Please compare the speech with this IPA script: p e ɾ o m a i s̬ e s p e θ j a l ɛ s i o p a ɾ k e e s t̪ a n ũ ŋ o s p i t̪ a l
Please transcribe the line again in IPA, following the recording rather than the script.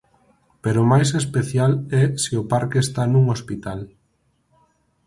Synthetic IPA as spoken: p e ɾ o m a j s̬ e s p e θ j a l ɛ s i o p a ɾ k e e s t̪ a n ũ ŋ o s p i t̪ a l